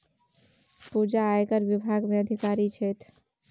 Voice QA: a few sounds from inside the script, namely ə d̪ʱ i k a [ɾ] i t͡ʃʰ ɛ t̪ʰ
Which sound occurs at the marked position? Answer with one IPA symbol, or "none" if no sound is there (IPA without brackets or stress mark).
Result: ɾ